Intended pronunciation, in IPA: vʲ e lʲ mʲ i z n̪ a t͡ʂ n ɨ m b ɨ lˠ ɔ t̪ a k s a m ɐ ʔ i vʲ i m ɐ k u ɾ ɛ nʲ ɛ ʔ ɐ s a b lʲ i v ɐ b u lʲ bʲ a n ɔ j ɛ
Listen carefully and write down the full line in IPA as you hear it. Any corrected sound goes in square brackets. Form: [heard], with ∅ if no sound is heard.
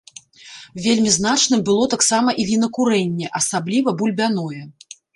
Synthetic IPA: vʲ e lʲ mʲ i z n̪ a t͡ʂ n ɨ m b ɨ lˠ ɔ t̪ a k s a m ɐ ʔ i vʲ i [n] ɐ k u ɾ ɛ [nʲː] ɛ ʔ ɐ s a b lʲ i v ɐ b u lʲ bʲ a n ɔ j ɛ